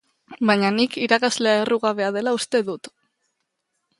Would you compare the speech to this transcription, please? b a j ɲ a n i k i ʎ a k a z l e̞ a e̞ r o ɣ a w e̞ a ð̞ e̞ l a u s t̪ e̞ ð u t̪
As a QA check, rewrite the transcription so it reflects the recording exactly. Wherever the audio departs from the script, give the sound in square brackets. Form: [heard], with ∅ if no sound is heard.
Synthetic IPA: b a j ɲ a n i k i [ɾ] a k a z l e̞ a e̞ r [u] ɣ a [β] e̞ a ð̞ e̞ l a u s t̪ e̞ ð u t̪